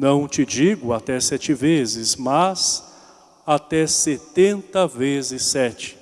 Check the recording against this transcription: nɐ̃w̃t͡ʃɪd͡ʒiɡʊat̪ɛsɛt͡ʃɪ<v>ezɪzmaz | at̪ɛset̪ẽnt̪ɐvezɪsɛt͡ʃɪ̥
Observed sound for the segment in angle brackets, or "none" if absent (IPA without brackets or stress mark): v